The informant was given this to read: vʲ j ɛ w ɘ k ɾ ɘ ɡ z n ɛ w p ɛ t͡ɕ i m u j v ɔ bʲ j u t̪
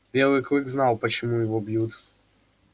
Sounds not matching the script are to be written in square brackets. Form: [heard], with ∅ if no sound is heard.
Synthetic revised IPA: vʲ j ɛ w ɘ k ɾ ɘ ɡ z n [a] w p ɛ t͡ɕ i m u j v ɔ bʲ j u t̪